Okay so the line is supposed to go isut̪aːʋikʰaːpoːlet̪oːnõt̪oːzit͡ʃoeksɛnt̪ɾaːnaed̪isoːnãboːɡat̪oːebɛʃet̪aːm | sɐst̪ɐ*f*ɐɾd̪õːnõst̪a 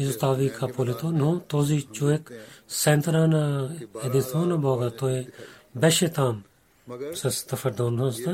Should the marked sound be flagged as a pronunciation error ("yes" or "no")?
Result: no